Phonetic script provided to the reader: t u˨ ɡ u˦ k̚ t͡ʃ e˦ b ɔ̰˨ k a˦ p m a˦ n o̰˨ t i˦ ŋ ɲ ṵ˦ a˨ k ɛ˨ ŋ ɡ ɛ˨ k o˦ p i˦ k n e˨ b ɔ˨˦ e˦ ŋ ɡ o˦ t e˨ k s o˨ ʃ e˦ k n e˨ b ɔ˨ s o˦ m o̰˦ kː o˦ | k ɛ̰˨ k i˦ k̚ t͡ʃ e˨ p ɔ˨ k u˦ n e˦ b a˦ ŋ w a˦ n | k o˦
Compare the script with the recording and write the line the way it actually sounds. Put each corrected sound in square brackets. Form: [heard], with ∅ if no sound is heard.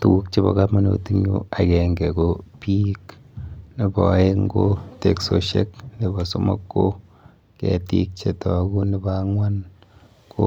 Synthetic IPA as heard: t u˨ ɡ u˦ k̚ t͡ʃ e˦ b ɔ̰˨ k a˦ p m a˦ n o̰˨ t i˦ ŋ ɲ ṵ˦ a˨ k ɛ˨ ŋ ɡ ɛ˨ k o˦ p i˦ k n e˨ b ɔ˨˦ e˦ ŋ ɡ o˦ t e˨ k s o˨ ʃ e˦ k n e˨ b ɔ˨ s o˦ m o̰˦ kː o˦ | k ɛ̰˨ [t] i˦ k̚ t͡ʃ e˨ [t] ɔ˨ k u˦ n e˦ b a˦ ŋ w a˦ n | k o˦